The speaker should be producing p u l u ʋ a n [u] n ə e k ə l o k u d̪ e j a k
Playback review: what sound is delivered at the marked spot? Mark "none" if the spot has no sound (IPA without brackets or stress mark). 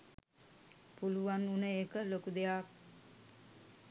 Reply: u